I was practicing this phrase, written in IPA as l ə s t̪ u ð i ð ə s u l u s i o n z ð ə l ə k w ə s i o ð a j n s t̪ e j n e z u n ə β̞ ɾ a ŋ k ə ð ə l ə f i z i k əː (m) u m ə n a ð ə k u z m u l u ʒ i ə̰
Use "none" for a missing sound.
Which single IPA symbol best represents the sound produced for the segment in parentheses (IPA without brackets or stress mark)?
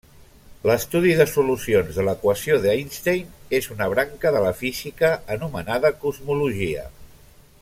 n